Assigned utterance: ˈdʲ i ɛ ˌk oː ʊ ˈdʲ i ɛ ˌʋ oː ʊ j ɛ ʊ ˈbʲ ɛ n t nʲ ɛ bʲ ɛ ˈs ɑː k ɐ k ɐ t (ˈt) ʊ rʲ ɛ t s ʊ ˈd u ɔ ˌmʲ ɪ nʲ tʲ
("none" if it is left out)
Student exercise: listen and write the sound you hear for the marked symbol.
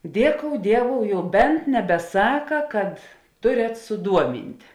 t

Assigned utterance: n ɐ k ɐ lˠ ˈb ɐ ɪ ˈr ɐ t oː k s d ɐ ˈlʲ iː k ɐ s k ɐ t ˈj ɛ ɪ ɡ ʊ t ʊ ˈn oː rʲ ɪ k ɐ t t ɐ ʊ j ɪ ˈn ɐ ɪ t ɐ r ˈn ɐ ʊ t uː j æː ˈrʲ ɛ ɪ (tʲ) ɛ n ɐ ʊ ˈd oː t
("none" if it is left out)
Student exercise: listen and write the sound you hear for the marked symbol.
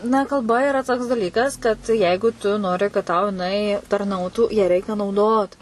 kʲ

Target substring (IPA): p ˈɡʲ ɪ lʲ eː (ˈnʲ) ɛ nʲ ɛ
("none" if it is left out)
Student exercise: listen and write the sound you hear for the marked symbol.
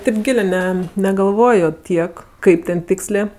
nʲ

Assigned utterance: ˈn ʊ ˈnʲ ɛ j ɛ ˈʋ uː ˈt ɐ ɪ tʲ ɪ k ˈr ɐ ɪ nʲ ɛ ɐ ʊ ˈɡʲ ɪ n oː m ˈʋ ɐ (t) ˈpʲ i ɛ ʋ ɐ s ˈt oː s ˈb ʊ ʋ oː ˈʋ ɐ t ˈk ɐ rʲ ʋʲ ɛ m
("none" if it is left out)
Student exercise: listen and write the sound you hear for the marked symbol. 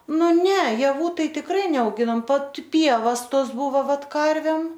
t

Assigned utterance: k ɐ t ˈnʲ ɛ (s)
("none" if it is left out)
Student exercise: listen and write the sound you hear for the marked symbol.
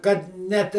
t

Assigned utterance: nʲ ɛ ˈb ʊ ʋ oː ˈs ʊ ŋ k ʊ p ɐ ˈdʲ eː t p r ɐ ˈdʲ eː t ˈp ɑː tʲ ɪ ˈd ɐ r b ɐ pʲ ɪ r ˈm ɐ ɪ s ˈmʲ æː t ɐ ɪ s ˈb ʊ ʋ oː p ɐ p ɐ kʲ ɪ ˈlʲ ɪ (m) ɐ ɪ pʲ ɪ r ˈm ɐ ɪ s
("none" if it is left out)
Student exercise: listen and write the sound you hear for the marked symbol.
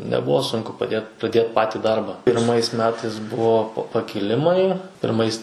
m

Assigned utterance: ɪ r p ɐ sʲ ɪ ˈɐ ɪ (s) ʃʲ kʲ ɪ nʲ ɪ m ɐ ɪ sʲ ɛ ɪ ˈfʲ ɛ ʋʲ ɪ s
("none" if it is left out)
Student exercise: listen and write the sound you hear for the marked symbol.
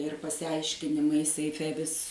none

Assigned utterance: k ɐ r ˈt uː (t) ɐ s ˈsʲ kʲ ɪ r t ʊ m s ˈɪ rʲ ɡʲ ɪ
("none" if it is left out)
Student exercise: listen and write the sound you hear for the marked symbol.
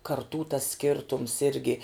t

